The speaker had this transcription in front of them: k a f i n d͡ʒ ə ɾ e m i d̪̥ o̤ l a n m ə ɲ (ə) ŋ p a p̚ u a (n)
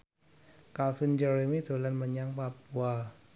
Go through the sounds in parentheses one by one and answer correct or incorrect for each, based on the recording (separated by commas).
incorrect, incorrect